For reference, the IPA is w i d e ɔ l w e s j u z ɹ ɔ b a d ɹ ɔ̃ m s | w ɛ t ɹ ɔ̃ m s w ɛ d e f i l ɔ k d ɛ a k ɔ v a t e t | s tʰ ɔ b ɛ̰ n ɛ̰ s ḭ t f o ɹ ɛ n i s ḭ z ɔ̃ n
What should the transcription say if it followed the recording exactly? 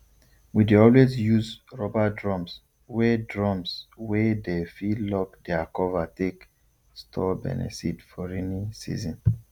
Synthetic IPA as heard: w i d e ɔ l w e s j u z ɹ ɔ b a d ɹ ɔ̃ m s | w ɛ d ɹ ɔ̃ m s w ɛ d e f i l ɔ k d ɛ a k ɔ v a t e k | s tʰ ɔ b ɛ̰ n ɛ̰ s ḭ t f ɔ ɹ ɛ n i s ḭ z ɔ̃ n